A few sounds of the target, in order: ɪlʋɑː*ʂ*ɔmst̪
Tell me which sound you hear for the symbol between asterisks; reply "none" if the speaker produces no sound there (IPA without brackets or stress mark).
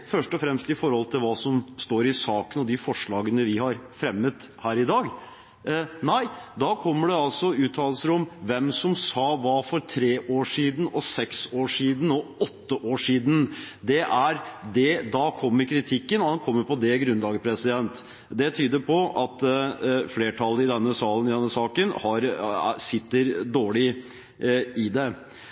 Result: s